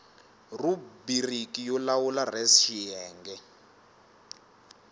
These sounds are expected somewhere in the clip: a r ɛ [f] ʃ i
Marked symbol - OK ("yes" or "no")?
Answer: no